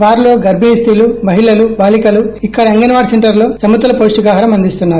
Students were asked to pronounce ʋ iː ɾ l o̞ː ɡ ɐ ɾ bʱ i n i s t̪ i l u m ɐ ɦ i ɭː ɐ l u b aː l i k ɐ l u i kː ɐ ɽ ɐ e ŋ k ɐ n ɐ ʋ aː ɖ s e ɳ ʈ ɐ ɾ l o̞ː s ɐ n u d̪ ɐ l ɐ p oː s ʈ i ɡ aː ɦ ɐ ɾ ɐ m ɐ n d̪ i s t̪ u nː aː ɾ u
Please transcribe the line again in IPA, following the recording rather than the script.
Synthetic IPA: ʋ aː ɾ l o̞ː ɡ ɐ ɾ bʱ i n i s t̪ i l u m ɐ ɦ i ɭ ɐ l u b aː l i k ɐ l u i kː ɐ ɽ ɐ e ŋ ɡ ɐ n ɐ ʋ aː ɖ s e ɳ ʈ ɐ ɾ l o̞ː s ɐ m u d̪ ɐ l ɐ p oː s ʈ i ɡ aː ɦ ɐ ɾ ɐ m ɐ n d̪ i s t̪ u nː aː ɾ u